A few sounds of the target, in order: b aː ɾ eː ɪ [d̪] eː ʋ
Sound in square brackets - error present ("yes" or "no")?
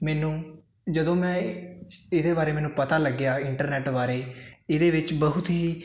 no